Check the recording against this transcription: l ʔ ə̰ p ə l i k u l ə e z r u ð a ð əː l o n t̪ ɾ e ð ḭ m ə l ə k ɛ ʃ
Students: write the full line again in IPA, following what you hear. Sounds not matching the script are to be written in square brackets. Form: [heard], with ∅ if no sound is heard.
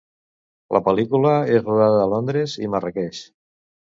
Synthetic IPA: l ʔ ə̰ p ə l i k u l ə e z r u ð a ð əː l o n [d̪] ɾ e [z] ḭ m ə [r] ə k ɛ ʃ